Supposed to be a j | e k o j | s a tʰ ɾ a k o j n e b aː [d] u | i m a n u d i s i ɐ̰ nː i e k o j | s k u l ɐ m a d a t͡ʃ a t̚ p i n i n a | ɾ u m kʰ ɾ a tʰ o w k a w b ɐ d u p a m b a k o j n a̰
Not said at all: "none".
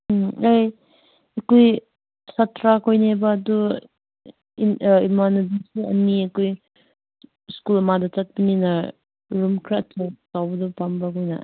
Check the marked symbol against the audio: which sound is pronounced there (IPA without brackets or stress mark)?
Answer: d